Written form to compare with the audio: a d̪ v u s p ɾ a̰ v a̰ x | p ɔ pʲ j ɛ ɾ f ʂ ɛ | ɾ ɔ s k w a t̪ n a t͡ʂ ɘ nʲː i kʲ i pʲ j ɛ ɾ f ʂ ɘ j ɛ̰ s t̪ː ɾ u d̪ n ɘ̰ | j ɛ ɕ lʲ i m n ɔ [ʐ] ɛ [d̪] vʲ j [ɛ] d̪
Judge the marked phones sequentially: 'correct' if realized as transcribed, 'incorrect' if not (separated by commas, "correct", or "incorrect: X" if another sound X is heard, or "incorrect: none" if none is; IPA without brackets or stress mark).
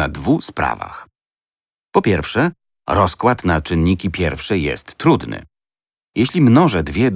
correct, correct, correct